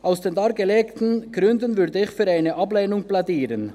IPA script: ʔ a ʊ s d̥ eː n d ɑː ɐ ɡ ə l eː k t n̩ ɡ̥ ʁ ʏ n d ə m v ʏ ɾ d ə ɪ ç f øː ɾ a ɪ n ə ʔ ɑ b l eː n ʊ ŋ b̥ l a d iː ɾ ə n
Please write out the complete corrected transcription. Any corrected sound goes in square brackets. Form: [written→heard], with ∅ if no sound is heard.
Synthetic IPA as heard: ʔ a ʊ s d̥ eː n d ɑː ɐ ɡ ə l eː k t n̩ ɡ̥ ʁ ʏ n d ə [m→n] v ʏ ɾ d ə ɪ ç f [øː→yː] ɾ a ɪ n ə ʔ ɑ b l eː n ʊ ŋ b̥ l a d iː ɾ ə n

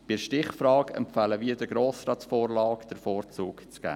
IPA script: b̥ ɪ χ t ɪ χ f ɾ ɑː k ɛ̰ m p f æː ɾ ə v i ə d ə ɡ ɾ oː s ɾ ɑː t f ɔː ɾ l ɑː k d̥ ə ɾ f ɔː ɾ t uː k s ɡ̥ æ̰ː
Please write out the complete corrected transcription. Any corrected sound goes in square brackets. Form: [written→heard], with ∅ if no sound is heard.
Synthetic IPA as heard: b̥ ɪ [χ→ʃ] t ɪ χ f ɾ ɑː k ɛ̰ m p f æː [ɾ→l] ə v i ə d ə ɡ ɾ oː s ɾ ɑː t f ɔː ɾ l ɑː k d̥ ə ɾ f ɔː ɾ [t→t͡s] uː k [s→t͡s] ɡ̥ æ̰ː

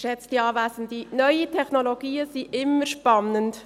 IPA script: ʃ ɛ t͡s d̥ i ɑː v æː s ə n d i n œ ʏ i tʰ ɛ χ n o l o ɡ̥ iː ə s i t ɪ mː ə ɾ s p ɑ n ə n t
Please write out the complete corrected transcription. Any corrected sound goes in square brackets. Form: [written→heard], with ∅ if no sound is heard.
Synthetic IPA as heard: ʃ ɛ t͡s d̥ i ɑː v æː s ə n d i n œ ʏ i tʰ ɛ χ n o l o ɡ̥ iː ə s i [t→ʔ] ɪ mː ə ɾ [s→ʃ] p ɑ n ə n t

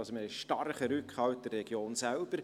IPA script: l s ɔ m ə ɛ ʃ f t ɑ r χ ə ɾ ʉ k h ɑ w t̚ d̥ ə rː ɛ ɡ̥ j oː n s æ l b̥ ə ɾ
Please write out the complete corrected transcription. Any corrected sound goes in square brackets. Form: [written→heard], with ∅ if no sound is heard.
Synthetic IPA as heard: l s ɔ m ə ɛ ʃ [f→ʃ] t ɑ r χ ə ɾ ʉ k h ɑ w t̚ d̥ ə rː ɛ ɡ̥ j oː n s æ l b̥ ə ɾ

